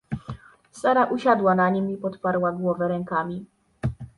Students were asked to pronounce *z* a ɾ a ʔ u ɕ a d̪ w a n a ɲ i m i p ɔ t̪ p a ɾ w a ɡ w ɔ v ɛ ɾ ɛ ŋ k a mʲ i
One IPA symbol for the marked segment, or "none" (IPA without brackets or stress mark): s